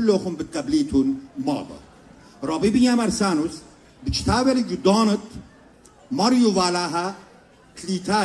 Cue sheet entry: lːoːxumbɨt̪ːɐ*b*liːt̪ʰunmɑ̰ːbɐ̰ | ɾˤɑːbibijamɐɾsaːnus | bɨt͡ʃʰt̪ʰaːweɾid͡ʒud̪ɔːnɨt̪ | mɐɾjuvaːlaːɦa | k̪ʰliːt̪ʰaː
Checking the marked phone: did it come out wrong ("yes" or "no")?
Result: no